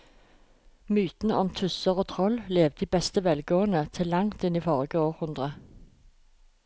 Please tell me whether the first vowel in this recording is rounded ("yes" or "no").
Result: yes